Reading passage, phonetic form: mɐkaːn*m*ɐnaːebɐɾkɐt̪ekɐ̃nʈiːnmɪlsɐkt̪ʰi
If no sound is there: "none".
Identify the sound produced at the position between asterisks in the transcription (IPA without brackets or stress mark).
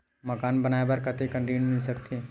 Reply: b